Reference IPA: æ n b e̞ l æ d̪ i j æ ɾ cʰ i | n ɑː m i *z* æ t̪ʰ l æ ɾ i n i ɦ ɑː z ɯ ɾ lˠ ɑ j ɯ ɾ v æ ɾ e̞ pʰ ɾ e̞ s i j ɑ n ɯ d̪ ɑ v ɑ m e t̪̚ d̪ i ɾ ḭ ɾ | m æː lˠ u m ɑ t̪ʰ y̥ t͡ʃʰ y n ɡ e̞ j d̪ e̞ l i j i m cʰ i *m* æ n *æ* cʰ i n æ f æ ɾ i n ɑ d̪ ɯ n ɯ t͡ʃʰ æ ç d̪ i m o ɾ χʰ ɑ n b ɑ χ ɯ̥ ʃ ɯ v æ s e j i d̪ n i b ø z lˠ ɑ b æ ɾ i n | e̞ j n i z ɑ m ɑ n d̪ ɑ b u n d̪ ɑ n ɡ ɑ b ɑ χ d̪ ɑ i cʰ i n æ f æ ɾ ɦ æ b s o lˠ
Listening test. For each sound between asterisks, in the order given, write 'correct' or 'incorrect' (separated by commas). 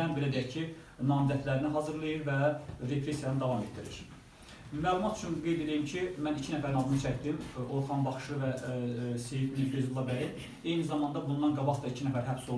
correct, correct, incorrect